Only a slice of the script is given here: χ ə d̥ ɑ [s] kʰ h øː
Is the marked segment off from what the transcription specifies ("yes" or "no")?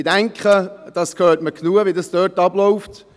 no